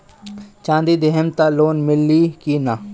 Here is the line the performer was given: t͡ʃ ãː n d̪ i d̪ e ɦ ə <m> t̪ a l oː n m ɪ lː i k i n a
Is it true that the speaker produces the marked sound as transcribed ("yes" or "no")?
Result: yes